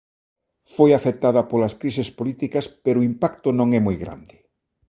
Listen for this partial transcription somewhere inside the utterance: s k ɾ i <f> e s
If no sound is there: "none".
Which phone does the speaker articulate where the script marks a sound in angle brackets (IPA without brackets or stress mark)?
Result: s